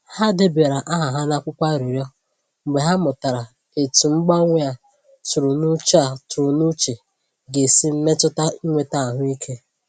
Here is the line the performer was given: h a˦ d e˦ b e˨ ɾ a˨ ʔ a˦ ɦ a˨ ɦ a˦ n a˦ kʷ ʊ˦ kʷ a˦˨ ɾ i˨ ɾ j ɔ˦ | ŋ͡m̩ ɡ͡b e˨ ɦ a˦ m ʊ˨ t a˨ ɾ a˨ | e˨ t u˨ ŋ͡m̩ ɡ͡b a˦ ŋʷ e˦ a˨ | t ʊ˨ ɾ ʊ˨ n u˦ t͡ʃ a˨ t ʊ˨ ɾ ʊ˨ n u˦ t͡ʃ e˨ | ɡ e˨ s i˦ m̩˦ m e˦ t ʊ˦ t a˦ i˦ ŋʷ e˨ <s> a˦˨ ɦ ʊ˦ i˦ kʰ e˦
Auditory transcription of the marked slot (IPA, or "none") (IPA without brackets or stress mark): t